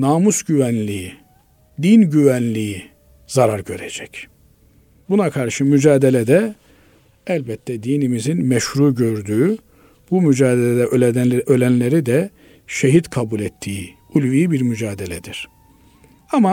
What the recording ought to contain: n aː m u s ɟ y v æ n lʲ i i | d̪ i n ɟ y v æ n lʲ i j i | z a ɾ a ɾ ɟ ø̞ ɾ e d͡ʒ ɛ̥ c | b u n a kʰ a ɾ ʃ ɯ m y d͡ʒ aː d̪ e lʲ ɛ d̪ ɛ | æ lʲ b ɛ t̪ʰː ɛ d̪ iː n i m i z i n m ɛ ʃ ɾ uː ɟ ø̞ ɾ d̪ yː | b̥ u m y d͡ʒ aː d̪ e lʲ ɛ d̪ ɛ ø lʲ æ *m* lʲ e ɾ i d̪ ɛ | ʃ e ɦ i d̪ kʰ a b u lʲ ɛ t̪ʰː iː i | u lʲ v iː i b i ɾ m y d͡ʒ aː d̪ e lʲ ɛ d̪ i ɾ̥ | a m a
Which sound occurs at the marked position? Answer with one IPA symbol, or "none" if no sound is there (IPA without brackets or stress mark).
n